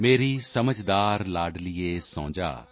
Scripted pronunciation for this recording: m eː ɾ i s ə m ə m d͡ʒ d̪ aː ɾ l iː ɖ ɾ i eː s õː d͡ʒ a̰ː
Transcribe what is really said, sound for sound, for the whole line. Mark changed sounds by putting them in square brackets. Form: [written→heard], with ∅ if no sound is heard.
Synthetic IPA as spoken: m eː ɾ i s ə m ə [m→∅] d͡ʒ d̪ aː ɾ l [iː→aː] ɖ [ɾ→l] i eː s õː d͡ʒ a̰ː